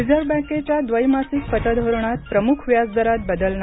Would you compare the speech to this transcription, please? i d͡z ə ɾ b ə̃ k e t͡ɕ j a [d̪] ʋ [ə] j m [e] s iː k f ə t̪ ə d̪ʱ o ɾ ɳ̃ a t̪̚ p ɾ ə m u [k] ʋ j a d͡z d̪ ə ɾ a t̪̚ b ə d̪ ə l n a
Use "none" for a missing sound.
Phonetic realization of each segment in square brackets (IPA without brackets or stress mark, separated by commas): d̪, ə, a, kʰ